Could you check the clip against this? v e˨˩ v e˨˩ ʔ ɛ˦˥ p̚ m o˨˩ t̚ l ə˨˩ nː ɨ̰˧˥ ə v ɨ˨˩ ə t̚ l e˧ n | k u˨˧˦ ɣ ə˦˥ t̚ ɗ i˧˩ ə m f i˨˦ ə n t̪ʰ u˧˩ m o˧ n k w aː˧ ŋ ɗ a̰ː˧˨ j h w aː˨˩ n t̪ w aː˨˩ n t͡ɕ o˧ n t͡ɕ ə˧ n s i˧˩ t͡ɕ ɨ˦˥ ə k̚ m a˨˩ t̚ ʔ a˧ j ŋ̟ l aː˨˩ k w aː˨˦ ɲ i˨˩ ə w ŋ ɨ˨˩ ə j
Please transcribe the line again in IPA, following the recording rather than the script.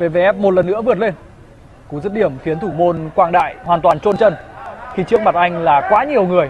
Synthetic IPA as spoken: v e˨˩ v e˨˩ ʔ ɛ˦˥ p̚ m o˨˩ t̚ l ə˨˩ nː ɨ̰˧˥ ə v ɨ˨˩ ə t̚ l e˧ n | k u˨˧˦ z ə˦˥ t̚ ɗ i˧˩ ə m f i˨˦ ə n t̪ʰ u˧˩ m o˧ n k w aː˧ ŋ ɗ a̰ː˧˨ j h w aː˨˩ n t̪ w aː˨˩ n t͡ɕ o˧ n t͡ɕ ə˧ n x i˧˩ t͡ɕ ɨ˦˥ ə k̚ m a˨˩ t̚ ʔ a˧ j ŋ̟ l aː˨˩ k w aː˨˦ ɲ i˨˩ ə w ŋ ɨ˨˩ ə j

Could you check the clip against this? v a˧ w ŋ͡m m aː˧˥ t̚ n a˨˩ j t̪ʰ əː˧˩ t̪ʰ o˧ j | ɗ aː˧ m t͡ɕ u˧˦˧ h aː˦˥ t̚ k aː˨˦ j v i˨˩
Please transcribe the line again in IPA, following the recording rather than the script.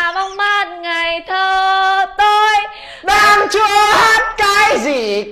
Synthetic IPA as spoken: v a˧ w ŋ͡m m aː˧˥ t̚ ŋ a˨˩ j t̪ʰ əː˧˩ t̪ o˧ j | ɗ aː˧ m t͡ɕ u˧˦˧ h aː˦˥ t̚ k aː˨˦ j z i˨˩

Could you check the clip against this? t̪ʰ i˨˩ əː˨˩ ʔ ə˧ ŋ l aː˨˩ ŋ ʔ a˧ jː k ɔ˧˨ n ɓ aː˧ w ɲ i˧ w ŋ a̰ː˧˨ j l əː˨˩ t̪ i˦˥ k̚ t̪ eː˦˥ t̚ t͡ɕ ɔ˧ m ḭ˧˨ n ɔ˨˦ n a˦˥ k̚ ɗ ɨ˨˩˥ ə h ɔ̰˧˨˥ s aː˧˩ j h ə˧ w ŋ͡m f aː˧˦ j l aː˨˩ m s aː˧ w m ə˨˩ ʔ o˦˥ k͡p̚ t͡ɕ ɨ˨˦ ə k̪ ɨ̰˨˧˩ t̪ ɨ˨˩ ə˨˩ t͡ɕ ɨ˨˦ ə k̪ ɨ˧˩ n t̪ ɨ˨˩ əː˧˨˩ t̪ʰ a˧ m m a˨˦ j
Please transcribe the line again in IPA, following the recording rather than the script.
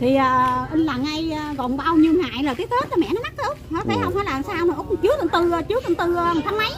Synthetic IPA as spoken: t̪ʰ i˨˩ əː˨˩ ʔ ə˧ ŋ l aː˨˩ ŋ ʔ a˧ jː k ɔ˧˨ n ɓ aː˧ w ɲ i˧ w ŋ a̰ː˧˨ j l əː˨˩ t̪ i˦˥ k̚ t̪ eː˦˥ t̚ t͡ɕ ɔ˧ m ɛ̰˧˨ n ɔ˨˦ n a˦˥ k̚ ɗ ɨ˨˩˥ ə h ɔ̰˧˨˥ f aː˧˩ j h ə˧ w ŋ͡m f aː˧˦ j l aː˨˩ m s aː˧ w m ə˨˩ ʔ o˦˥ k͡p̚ t͡ɕ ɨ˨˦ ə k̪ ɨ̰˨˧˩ t̪ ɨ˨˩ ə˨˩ t͡ɕ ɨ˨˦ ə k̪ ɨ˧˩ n t̪ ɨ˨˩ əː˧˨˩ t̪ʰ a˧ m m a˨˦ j

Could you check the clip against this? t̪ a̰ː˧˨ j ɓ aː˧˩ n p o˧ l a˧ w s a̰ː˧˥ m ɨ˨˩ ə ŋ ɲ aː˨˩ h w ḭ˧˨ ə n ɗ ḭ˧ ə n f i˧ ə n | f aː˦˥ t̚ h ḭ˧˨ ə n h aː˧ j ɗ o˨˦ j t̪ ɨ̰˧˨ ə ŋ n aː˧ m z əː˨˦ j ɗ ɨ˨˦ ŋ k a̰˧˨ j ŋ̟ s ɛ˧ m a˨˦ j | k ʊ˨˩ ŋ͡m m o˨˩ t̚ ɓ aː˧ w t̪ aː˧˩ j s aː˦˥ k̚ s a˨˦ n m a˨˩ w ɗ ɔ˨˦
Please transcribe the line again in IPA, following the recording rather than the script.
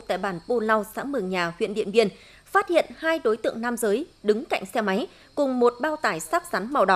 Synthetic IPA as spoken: t̪ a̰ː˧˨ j ɓ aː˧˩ n p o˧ l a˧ w s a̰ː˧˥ m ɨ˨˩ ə ŋ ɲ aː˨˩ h w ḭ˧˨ ə n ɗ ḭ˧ ə n v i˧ ə n | f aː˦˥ t̚ h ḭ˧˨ ə n h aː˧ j ɗ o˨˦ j t̪ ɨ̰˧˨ ə ŋ n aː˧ m z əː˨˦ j ɗ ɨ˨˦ ŋ k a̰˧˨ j ŋ̟ s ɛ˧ m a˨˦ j | k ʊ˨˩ ŋ͡m m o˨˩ t̚ ɓ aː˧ w t̪ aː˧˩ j s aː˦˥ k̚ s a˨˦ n m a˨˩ w ɗ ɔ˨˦

